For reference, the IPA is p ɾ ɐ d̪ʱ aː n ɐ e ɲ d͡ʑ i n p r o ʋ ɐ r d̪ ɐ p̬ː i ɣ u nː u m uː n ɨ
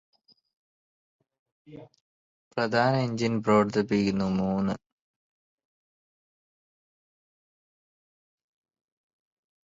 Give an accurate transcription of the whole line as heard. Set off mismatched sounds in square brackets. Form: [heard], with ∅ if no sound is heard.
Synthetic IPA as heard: p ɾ ɐ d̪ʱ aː n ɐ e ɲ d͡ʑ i n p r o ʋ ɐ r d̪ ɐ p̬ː i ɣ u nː u m uː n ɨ